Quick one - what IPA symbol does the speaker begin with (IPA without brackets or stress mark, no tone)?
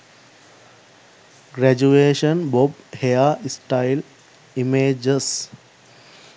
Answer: ɡ